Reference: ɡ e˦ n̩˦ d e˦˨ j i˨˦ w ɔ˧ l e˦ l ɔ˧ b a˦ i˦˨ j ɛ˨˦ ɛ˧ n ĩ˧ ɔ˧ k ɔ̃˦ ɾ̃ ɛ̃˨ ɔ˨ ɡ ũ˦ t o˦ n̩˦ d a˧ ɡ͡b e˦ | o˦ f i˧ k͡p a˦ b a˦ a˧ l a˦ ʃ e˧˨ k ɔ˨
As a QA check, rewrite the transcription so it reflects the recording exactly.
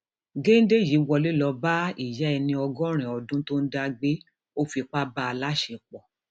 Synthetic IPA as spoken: ɡ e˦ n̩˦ d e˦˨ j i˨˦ w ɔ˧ l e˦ l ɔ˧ b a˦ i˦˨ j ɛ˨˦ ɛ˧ n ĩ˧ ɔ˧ ɡ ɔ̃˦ ɾ̃ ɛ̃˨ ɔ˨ d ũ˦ t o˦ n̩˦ d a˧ ɡ͡b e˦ | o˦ f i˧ k͡p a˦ b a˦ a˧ l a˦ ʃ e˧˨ k͡p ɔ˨